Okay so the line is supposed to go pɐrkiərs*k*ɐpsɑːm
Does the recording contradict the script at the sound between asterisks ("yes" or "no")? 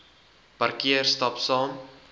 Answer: yes